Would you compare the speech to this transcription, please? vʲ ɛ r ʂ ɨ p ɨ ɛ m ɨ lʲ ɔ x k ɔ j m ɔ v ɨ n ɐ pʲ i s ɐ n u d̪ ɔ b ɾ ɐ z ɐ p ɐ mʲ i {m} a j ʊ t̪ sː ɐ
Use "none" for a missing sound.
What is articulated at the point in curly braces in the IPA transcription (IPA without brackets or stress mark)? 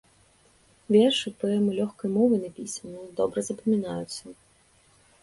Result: n